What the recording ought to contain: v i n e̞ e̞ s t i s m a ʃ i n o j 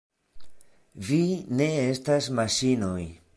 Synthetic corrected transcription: v i n e̞ e̞ s t a s m a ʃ i n o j